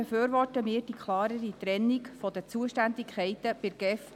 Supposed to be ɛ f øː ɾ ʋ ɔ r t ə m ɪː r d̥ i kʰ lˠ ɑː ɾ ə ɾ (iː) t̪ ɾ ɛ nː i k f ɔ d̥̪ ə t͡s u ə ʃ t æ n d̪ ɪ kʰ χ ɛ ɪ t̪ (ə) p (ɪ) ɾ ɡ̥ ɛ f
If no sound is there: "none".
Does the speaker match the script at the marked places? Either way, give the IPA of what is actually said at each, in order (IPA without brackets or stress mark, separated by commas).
i, ə, ɪ